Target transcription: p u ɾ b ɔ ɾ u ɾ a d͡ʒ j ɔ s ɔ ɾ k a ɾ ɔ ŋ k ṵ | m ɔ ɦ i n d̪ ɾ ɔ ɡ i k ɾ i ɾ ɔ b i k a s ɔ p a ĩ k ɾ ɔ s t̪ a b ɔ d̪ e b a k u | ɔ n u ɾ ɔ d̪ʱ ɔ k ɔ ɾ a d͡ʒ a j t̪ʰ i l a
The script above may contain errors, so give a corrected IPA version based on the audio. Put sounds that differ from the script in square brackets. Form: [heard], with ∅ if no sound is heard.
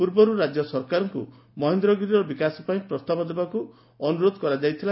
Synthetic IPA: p u ɾ b ɔ ɾ u ɾ a d͡ʒ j ɔ s ɔ ɾ k a ɾ ɔ ŋ k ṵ | m ɔ ɦ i n d̪ ɾ ɔ ɡ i [∅] ɾ i ɾ ɔ b i k a s ɔ p a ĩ [p] ɾ ɔ s t̪ a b ɔ d̪ e b a k u | ɔ n u ɾ [o] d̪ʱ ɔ k ɔ ɾ a d͡ʒ a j t̪ʰ i l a